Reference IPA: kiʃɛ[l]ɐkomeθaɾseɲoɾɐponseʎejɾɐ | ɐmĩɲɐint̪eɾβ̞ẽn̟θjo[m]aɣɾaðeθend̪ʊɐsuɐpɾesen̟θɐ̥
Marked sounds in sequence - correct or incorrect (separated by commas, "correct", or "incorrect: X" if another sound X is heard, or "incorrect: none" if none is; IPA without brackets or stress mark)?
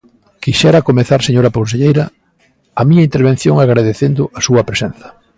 incorrect: ɾ, incorrect: ŋ